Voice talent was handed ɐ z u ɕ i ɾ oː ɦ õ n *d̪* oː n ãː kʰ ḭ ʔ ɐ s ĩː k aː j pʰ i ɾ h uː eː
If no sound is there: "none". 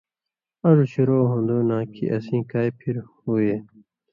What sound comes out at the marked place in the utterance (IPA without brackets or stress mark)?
d̪